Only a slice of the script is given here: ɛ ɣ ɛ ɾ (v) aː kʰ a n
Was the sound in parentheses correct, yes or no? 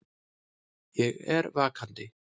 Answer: yes